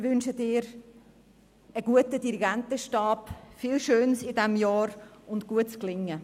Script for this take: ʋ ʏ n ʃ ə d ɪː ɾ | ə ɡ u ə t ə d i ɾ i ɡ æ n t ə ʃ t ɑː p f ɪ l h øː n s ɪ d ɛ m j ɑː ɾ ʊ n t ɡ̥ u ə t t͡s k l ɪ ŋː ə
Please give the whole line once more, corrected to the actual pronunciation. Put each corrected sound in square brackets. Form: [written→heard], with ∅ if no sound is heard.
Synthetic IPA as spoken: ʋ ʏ n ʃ ə d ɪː ɾ | ə ɡ u ə t ə d i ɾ i ɡ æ n t ə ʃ t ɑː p f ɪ l [h→ʃ] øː n s ɪ d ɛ m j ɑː ɾ ʊ n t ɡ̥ u ə t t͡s k l ɪ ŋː ə